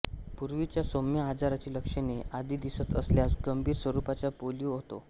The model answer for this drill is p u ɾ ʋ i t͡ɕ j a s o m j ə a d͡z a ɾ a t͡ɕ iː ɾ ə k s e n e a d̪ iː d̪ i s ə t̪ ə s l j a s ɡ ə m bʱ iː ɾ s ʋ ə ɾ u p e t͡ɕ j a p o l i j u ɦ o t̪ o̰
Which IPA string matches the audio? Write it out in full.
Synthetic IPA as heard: p u ɾ ʋ i t͡ɕ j a s o m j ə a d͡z a ɾ a t͡ɕ iː l ə k ʂ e n e a d̪ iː d̪ i s ə t̪ ə s l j a s ɡ ə m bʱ iː ɾ s ʋ ə ɾ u p a t͡ɕ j a p o l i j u ɦ o t̪ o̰